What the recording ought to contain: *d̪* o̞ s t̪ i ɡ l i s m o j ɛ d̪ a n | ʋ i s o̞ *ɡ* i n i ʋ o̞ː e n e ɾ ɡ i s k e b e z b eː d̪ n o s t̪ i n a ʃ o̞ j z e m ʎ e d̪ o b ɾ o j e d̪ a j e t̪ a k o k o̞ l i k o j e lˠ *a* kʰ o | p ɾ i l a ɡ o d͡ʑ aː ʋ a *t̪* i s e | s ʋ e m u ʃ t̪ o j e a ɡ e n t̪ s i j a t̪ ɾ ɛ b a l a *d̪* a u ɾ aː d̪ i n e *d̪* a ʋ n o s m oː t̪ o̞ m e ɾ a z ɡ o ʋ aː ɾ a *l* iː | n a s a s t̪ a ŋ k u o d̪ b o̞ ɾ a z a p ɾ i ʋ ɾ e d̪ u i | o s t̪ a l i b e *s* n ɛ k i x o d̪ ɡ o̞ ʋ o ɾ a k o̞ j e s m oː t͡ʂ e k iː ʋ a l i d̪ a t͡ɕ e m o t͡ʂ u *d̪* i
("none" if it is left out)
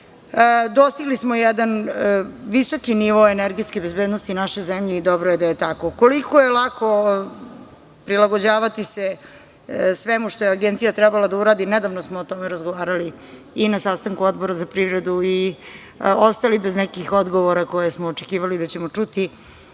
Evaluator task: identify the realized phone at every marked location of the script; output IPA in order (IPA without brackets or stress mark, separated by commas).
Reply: d̪, k, a, t̪, d̪, d̪, l, z, t̪